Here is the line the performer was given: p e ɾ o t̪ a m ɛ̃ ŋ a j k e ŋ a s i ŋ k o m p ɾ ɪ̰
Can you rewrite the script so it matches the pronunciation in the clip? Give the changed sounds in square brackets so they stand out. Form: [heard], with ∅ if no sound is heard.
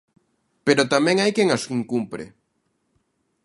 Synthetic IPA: p e ɾ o t̪ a m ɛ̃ ŋ a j k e ŋ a s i ŋ k [u] m p ɾ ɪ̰